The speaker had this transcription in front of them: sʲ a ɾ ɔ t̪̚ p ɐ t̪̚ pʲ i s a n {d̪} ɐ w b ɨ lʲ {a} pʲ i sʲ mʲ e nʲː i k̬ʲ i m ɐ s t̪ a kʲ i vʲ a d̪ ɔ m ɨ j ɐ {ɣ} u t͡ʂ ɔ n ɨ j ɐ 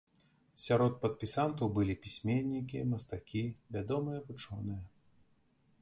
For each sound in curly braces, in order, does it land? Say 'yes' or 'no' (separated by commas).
no, no, no